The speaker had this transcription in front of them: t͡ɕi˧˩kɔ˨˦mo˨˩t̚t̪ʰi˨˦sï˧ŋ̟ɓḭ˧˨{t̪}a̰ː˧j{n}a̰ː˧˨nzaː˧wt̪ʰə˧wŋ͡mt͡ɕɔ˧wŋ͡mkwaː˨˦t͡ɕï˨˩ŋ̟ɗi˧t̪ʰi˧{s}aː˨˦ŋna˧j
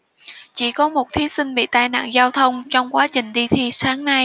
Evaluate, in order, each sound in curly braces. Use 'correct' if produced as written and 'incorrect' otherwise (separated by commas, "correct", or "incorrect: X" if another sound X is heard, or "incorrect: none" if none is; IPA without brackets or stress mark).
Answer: correct, correct, correct